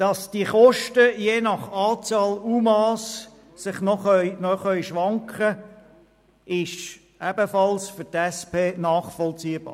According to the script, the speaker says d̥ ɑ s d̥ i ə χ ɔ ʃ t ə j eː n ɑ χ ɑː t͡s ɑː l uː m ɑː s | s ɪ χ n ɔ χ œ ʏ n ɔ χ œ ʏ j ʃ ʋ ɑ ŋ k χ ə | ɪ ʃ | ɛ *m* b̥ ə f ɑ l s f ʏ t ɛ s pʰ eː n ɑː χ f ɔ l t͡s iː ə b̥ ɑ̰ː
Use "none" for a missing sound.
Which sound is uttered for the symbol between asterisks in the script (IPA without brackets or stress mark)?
none